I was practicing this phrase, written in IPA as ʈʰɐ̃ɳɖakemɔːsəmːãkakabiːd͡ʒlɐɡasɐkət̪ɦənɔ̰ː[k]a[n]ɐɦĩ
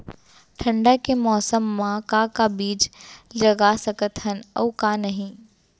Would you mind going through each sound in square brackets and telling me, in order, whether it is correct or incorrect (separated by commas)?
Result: correct, correct